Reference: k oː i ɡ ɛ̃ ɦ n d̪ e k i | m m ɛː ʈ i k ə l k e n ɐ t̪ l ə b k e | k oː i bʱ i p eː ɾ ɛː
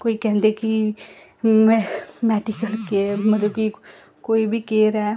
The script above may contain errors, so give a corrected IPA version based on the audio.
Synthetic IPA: k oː i k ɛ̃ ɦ n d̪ e k i | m m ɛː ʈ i k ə l k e m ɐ t̪ l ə b k i | k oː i bʱ i k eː ɾ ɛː